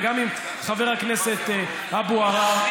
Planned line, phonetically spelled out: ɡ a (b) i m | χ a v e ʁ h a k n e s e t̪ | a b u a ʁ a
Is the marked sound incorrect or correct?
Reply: incorrect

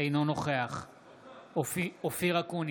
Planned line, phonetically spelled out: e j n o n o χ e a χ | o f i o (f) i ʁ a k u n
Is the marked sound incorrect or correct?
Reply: correct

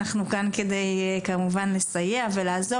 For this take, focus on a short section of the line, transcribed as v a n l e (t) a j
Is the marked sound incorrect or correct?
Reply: incorrect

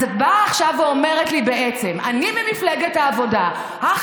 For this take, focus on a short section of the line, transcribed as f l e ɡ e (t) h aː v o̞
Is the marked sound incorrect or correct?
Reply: correct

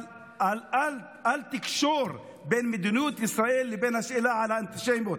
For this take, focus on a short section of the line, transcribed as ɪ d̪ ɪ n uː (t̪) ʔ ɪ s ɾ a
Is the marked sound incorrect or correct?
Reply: correct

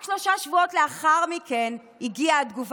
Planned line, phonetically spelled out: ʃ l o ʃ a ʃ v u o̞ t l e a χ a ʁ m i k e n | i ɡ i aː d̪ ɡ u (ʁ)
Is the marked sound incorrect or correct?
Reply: incorrect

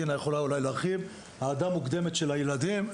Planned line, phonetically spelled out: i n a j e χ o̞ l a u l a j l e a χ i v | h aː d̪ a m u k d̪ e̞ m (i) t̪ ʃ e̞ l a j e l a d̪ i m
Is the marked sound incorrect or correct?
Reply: incorrect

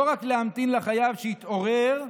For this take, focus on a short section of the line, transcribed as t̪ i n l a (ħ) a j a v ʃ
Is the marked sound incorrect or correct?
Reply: incorrect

